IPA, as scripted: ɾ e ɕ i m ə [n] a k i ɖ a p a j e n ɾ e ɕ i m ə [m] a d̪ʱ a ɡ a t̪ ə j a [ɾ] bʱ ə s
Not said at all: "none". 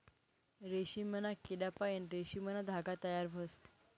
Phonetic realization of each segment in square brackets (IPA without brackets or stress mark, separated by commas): n, n, ɾ